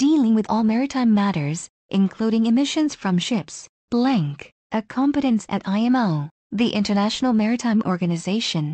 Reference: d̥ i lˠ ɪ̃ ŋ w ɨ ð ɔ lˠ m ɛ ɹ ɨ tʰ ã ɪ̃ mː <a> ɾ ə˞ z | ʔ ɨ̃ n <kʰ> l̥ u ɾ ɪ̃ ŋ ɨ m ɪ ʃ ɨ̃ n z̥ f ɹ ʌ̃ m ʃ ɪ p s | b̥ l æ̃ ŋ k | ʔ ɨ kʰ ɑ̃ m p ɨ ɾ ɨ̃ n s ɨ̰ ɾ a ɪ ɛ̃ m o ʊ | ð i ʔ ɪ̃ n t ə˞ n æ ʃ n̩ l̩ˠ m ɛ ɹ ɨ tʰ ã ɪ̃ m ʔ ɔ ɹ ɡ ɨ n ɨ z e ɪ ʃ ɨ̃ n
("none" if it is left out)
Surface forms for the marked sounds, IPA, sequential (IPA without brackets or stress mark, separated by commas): æ, kʰ